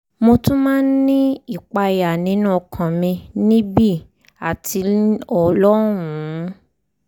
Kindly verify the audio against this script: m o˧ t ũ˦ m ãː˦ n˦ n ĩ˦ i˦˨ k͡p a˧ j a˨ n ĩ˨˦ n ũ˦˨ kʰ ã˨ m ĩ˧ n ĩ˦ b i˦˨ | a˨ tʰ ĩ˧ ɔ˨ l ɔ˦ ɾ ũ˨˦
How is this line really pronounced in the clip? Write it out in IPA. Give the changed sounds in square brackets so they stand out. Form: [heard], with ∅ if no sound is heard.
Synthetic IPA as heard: m o˧ t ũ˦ m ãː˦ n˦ n ĩ˦ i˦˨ k͡p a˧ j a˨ n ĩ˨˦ n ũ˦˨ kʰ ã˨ m ĩ˧ n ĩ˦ b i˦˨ | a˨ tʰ [i˧] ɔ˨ l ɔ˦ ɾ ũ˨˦